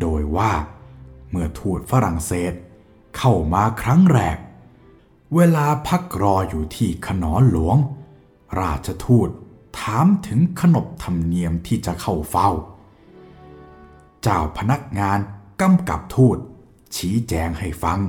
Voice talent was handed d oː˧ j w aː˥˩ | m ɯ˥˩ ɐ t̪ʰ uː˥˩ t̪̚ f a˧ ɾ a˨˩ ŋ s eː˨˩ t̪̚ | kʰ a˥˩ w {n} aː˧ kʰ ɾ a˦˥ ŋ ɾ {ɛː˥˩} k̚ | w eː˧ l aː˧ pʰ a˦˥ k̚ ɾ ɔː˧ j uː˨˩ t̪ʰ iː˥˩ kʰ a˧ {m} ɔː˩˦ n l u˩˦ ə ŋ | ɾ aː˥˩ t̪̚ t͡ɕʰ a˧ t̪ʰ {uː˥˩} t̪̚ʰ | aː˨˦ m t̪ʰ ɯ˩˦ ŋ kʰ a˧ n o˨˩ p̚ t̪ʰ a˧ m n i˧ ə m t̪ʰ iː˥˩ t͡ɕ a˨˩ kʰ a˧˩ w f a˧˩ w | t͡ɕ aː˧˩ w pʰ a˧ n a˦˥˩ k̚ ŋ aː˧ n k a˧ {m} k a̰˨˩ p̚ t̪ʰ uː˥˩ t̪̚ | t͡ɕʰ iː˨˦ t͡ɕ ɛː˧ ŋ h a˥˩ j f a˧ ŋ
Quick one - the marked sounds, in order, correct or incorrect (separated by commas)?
incorrect, incorrect, incorrect, correct, correct